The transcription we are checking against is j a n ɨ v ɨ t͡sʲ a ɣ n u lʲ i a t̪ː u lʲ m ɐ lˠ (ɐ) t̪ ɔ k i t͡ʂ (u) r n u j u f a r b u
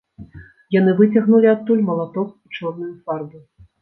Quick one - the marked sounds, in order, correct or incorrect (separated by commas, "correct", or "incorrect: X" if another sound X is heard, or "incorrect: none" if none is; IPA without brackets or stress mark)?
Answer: incorrect: a, incorrect: ɔ